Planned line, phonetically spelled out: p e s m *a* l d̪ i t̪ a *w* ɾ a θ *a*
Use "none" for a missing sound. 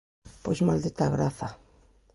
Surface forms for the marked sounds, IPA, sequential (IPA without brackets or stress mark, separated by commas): a, ɣ, a